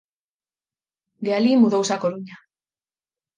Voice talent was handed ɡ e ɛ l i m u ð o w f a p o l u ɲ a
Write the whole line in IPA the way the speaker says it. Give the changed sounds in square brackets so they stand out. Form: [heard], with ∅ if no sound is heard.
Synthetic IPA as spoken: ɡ e [a] l i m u ð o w [s] a [k] o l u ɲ a